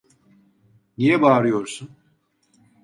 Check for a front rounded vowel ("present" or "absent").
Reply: absent